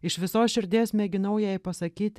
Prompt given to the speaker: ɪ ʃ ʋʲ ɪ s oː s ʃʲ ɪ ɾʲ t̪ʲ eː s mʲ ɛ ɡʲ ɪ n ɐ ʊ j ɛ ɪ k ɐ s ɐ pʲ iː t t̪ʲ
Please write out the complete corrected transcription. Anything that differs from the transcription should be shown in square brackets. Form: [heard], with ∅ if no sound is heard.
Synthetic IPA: ɪ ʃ ʋʲ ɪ s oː s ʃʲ ɪ ɾʲ [d̪ʲ] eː s mʲ ɛ ɡʲ ɪ n ɐ ʊ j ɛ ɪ [p] ɐ s ɐ [kʲ] iː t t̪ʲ

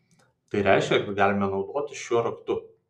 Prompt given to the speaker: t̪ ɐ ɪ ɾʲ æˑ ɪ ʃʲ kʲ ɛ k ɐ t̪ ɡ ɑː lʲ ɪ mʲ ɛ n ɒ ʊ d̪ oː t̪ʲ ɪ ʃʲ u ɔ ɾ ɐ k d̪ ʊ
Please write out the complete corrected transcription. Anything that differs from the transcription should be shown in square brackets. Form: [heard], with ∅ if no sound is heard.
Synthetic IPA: t̪ ɐ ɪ ɾʲ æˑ ɪ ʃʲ kʲ ɛ k ɐ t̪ ɡ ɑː lʲ ɪ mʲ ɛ n ɒ ʊ d̪ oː t̪ʲ ɪ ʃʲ u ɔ ɾ ɐ k [t̪] ʊ

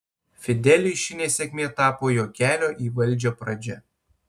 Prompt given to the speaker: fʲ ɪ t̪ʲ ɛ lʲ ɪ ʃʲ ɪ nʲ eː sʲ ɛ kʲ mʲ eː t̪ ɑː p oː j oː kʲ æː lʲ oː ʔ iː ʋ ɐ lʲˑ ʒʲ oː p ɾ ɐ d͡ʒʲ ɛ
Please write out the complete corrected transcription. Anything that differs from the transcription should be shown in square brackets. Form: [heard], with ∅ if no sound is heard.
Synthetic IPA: fʲ ɪ [d̪ʲ] ɛ lʲ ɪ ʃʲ ɪ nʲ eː sʲ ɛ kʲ mʲ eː t̪ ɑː p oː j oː kʲ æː lʲ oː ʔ iː ʋ ɐ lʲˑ [d͡ʒʲ] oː p ɾ ɐ d͡ʒʲ ɛ

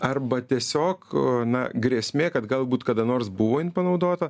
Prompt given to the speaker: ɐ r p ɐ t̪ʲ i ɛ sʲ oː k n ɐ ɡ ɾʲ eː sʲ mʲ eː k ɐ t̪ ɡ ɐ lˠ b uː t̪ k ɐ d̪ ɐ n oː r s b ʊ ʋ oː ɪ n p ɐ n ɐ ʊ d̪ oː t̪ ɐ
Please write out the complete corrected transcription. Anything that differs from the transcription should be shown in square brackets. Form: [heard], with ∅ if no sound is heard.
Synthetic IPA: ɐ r [b] ɐ t̪ʲ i ɛ sʲ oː k n ɐ ɡ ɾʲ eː sʲ mʲ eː k ɐ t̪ ɡ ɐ lˠ b uː t̪ k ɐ d̪ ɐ n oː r s b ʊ ʋ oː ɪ n p ɐ n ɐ ʊ d̪ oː t̪ ɐ

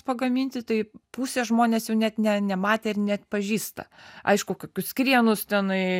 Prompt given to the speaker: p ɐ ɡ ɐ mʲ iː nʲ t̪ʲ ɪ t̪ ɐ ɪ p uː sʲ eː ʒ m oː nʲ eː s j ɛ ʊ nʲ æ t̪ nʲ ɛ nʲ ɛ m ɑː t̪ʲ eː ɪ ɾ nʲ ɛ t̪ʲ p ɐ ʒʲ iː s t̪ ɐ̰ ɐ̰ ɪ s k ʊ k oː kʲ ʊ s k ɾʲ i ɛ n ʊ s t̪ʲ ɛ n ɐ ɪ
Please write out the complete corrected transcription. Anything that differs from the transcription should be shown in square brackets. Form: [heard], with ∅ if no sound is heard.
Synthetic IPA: p ɐ ɡ ɐ mʲ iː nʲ t̪ʲ ɪ t̪ ɐ ɪ p uː sʲ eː ʒ m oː nʲ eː s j ɛ ʊ nʲ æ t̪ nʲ ɛ nʲ ɛ m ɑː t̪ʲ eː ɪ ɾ nʲ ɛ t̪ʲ p ɐ ʒʲ iː s t̪ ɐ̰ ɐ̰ ɪ [ʃ] k ʊ k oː kʲ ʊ s k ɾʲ i ɛ n ʊ s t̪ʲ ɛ n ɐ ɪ

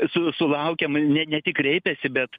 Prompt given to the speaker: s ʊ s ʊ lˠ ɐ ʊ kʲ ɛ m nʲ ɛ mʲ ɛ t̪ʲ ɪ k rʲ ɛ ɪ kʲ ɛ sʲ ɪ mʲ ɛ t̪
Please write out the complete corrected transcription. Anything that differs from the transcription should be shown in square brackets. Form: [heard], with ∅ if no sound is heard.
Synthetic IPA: s ʊ s ʊ lˠ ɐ ʊ kʲ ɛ m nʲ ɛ [nʲ] ɛ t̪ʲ ɪ k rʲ ɛ ɪ [pʲ] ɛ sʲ ɪ [bʲ] ɛ t̪

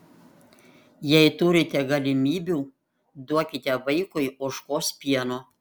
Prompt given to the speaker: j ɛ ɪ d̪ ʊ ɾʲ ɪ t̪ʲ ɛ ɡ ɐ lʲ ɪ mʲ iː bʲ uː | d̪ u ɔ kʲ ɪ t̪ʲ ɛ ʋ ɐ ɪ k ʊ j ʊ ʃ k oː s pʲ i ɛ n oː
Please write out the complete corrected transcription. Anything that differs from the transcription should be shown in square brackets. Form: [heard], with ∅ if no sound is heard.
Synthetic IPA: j ɛ ɪ [t̪] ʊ ɾʲ ɪ t̪ʲ ɛ ɡ ɐ lʲ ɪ mʲ iː bʲ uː | d̪ u ɔ kʲ ɪ t̪ʲ ɛ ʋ ɐ ɪ k ʊ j ʊ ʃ k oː s pʲ i ɛ n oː

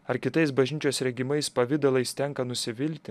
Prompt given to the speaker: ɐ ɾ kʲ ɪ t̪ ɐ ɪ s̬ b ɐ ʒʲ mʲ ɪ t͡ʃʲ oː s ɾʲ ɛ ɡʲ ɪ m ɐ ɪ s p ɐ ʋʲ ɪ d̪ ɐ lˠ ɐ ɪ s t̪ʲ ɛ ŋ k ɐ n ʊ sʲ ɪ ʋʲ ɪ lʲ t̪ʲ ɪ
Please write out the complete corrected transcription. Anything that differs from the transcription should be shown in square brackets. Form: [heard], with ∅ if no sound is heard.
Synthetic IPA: ɐ ɾ kʲ ɪ t̪ ɐ ɪ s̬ b ɐ ʒʲ [nʲ] ɪ t͡ʃʲ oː s ɾʲ ɛ ɡʲ ɪ m ɐ ɪ s p ɐ ʋʲ ɪ d̪ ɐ lˠ ɐ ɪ s t̪ʲ ɛ ŋ k ɐ n ʊ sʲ ɪ ʋʲ ɪ lʲ t̪ʲ ɪ

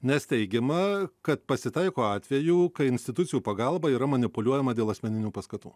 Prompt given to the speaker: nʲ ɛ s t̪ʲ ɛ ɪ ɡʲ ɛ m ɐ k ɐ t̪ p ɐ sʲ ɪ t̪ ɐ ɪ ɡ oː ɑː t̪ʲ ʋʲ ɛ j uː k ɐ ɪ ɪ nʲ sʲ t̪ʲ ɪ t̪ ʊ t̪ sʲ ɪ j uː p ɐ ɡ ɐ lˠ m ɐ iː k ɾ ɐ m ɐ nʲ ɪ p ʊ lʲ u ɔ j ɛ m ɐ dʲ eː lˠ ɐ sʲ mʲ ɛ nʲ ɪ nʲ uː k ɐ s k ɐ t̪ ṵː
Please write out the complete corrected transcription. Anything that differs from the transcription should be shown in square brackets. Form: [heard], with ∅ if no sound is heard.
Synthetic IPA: nʲ ɛ s t̪ʲ ɛ ɪ ɡʲ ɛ m ɐ k ɐ t̪ p ɐ sʲ ɪ t̪ ɐ ɪ [k] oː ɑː t̪ʲ ʋʲ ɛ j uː k ɐ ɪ ɪ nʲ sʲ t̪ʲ ɪ t̪ ʊ t̪ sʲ ɪ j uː p ɐ ɡ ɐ lˠ [b] ɐ iː [∅] ɾ ɐ m ɐ nʲ ɪ p ʊ lʲ u ɔ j ɛ m ɐ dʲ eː lˠ ɐ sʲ mʲ ɛ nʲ ɪ nʲ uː [p] ɐ s k ɐ t̪ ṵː

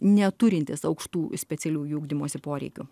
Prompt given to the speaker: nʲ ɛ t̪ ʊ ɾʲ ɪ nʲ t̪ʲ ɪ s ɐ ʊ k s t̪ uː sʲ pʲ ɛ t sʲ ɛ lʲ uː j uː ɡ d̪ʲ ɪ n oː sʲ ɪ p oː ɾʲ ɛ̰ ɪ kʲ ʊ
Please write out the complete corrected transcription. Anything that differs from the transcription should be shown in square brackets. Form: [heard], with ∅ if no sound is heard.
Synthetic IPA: nʲ ɛ t̪ ʊ ɾʲ ɪ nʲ t̪ʲ ɪ s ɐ ʊ k [ʃ] t̪ uː sʲ pʲ ɛ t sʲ ɛ lʲ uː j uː ɡ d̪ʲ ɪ [m] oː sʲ ɪ p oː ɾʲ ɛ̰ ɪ kʲ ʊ

